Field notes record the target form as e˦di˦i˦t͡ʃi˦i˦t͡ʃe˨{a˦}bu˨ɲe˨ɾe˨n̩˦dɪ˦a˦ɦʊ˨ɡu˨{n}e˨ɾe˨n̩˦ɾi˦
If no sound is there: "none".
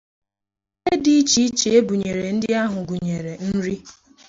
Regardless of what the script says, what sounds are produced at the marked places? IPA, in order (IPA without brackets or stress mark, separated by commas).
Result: e˦, ɲ